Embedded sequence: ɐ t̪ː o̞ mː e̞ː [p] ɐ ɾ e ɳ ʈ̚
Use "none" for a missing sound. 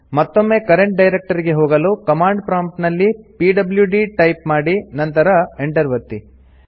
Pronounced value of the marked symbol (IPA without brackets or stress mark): k